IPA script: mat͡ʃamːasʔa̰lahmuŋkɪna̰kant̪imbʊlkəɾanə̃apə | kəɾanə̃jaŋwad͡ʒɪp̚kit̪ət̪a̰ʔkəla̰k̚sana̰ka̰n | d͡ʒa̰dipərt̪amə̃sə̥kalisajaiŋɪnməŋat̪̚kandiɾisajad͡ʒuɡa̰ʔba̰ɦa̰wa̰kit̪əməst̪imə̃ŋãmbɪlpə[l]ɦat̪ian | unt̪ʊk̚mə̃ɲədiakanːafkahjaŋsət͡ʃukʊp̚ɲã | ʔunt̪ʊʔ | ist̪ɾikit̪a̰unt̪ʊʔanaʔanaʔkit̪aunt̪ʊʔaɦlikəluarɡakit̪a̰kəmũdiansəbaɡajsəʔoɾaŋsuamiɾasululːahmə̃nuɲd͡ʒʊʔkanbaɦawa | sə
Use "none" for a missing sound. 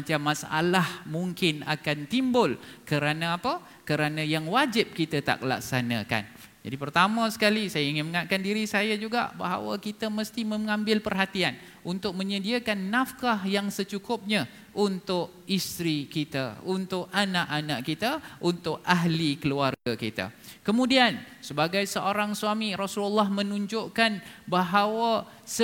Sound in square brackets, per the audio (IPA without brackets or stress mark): r